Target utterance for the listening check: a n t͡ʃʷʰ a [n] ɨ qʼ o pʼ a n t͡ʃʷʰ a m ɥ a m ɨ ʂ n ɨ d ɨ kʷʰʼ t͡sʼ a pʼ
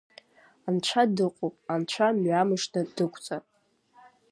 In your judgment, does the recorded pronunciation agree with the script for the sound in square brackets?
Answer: no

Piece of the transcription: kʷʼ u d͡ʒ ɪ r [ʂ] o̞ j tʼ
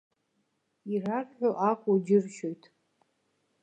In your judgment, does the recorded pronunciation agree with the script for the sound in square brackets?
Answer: no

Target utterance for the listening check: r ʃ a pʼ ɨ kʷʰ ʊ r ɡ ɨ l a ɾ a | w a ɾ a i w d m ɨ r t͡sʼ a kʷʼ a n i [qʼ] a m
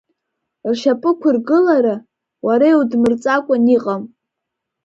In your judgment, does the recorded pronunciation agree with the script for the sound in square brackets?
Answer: yes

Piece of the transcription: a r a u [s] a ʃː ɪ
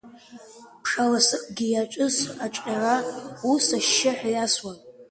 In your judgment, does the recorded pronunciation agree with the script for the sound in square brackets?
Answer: yes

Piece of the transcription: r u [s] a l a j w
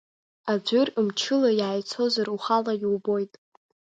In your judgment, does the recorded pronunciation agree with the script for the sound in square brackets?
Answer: no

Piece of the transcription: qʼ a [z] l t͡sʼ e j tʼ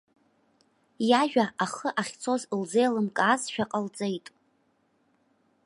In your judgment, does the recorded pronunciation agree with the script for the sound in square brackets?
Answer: no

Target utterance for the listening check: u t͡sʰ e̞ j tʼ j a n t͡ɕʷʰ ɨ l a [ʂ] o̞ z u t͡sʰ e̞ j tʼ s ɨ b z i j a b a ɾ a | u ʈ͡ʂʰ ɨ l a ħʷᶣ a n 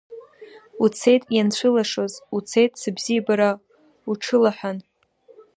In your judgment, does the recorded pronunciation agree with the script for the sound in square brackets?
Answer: yes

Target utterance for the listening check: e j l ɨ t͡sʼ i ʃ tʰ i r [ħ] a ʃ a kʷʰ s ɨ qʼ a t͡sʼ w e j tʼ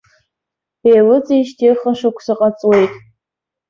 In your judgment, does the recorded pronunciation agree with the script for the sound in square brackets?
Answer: no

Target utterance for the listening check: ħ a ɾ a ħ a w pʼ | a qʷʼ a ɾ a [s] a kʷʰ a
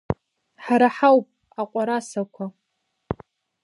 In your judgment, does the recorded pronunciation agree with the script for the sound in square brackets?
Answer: yes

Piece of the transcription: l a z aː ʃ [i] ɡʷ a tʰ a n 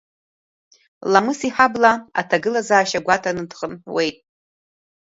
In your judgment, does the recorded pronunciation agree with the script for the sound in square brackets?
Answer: no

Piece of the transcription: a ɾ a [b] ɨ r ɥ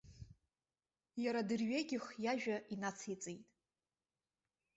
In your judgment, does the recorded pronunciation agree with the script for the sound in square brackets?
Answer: no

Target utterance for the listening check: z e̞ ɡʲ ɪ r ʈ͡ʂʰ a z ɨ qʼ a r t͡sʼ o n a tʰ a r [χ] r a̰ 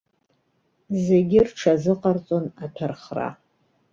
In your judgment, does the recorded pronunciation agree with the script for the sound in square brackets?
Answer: yes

